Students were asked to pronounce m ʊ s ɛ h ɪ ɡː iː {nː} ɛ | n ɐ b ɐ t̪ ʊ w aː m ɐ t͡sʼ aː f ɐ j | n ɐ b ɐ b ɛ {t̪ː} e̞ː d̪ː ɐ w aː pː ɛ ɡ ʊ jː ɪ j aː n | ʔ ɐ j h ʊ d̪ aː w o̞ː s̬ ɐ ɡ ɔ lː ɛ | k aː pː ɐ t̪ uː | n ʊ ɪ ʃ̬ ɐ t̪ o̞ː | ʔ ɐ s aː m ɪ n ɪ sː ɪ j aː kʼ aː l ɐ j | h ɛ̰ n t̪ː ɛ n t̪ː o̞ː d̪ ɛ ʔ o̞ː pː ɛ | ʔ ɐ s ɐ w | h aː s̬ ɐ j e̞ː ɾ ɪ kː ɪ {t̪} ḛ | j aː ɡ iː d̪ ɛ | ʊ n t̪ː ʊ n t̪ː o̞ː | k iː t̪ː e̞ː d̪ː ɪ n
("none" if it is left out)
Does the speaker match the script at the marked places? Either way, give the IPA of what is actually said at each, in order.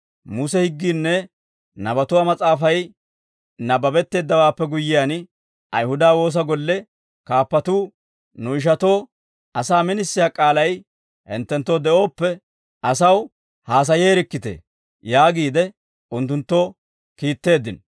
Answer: nː, t̪ː, t̪

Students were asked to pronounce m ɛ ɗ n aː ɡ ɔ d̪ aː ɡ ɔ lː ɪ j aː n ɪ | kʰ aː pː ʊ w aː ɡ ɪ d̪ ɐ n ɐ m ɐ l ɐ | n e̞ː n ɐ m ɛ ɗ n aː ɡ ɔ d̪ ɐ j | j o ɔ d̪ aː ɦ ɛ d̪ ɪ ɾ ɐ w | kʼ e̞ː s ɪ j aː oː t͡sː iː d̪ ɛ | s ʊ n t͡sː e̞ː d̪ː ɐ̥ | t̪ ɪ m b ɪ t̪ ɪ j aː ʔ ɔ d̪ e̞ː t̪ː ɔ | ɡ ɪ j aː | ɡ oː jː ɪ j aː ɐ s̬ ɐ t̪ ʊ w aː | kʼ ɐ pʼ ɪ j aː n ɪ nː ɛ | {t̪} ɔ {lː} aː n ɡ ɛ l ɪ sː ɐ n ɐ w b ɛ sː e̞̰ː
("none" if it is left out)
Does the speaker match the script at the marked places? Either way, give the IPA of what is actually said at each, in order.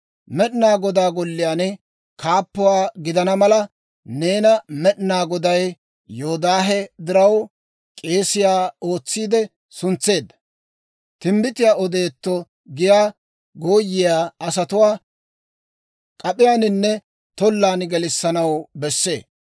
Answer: t̪, lː

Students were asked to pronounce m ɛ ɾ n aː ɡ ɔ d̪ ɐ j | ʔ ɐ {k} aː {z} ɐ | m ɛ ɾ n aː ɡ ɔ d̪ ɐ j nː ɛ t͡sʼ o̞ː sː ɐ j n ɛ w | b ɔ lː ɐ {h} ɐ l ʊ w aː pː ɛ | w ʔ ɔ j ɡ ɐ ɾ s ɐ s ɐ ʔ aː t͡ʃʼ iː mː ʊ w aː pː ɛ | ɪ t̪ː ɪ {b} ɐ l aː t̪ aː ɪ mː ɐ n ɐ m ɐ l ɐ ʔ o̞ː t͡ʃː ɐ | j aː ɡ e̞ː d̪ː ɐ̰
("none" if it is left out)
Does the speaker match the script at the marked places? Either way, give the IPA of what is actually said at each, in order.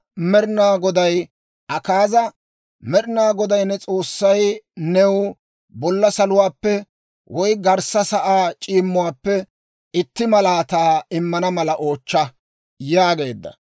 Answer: k, z, s, m

